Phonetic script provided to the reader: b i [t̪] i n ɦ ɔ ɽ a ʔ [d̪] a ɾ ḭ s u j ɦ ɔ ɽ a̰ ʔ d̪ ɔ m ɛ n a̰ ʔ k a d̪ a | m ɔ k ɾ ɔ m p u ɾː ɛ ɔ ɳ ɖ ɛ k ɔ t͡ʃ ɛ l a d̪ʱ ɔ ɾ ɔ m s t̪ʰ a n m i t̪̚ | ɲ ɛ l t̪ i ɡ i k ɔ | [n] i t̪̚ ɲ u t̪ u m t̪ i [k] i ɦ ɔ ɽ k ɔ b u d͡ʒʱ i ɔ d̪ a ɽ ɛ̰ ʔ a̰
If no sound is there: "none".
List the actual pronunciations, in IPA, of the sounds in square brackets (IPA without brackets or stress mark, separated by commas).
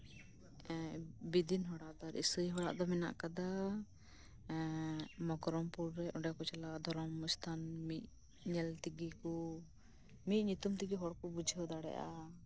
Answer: d̪, d̪, m, ɡ